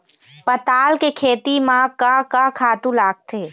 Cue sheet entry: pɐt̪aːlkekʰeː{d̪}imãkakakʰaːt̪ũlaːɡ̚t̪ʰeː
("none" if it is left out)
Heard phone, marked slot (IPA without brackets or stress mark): t̪